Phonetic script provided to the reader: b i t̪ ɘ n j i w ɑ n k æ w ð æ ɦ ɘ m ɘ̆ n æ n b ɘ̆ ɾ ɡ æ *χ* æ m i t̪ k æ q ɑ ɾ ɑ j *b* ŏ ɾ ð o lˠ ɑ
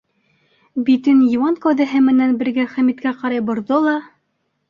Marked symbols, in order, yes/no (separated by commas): yes, yes